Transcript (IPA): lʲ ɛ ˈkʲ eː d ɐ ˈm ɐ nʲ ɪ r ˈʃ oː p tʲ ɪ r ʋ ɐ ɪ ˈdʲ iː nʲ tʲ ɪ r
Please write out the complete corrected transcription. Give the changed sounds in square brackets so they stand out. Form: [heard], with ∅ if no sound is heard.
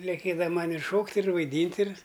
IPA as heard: lʲ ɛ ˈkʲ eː d ɐ ˈm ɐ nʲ ɪ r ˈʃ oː [k] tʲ ɪ r ʋ ɐ ɪ ˈdʲ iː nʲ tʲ ɪ r